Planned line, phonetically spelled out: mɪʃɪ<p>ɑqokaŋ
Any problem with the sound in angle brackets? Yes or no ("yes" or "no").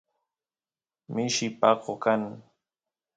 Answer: no